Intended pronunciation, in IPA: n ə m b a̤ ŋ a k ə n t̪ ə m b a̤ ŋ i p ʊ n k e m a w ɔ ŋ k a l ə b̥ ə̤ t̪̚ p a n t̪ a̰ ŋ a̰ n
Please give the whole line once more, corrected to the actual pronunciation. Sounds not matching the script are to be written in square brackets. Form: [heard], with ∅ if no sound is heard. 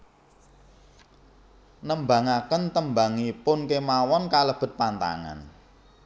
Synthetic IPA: n ə m b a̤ ŋ a k ə n t̪ ə m b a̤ ŋ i p ʊ n k e m a w ɔ [n] k a l ə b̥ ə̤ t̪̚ p a n t̪ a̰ ŋ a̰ n